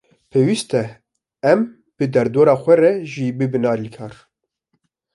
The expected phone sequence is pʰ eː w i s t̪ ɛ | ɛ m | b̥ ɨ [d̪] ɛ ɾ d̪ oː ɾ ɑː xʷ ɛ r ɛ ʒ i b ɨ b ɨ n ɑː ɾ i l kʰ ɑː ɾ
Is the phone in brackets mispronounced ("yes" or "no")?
no